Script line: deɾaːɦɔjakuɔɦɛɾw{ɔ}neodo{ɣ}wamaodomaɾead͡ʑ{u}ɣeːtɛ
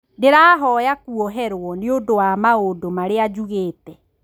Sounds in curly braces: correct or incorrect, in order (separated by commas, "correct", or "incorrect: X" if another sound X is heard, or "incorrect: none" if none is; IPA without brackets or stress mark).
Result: correct, incorrect: none, correct